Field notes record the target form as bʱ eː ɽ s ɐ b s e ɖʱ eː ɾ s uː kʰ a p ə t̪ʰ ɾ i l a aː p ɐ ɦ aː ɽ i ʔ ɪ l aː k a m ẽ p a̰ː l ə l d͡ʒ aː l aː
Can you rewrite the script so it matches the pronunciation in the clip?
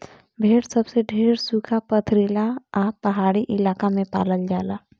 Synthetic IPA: bʱ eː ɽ s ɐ b s e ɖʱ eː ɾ s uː kʰ a p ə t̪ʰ ɾ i l a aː p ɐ ɦ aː ɽ i ʔ ɪ l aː k a m ẽ p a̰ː l ə l d͡ʒ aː l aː